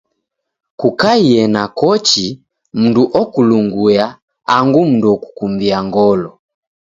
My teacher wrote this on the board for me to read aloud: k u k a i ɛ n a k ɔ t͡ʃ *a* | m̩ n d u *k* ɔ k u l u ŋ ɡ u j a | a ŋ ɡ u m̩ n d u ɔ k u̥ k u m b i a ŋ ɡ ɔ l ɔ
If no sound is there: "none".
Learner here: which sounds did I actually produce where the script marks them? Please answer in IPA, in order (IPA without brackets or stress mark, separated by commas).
i, ʔ